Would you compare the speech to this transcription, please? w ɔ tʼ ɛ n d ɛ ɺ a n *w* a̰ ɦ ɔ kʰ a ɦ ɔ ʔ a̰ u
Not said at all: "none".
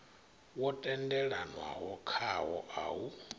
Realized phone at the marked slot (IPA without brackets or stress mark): w